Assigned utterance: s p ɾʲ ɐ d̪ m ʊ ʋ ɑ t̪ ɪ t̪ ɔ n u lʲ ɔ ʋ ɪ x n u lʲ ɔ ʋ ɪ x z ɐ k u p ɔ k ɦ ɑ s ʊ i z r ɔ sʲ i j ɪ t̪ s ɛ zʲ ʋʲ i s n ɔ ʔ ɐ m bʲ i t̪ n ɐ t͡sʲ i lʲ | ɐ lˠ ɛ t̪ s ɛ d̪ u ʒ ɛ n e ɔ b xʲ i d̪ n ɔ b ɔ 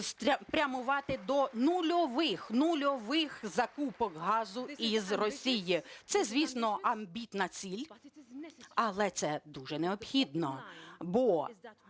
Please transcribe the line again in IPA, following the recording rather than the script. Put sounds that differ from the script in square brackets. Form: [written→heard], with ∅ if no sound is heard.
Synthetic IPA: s p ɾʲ ɐ [d̪→∅] m ʊ ʋ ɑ t̪ ɪ [t̪→d̪] ɔ n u lʲ ɔ ʋ ɪ x n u lʲ ɔ ʋ ɪ x z ɐ k u p ɔ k ɦ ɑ [s→z] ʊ i z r ɔ sʲ i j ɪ t̪ s ɛ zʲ ʋʲ i s n ɔ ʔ ɐ m bʲ i t̪ n ɐ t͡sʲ i lʲ | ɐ lˠ ɛ t̪ s ɛ d̪ u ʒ ɛ n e ɔ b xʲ i d̪ n ɔ b ɔ